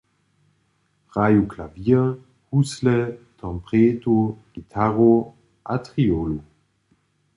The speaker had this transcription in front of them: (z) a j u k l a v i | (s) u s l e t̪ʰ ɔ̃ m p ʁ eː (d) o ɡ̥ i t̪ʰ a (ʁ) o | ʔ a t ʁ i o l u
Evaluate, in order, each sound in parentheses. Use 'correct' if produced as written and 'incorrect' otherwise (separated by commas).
incorrect, incorrect, incorrect, correct